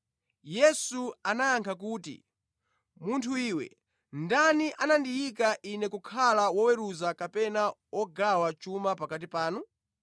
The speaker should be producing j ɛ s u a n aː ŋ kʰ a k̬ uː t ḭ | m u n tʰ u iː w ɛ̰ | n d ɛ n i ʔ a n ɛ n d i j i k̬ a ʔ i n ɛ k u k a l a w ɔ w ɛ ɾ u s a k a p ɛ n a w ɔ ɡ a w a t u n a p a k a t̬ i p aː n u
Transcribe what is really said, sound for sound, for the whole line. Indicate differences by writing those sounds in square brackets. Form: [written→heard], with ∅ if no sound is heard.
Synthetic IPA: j ɛ s u a n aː ŋ kʰ a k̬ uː t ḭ | m u n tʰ u iː w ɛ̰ | n d [ɛ→a] n i ʔ a n [ɛ→a] n d i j i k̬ a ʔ i n ɛ k u [k→kʰ] a l a w ɔ w ɛ ɾ u [s→z] a k a p ɛ n a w ɔ ɡ a w a [t→t͡ʃ] u [n→m] a p a k a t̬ i p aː n u